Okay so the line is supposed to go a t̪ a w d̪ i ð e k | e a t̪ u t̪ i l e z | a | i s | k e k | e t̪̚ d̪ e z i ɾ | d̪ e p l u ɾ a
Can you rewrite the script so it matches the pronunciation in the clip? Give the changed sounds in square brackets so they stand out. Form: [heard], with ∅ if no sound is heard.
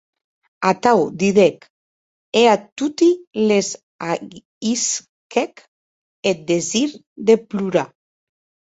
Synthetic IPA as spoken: a t̪ a w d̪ i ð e k | e a t̪ u t̪ i l e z | a | i s | k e k | e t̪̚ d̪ e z i ɾ | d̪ e p l u ɾ a